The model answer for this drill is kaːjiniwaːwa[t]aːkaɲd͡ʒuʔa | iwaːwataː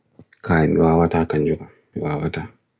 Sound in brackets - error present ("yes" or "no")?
no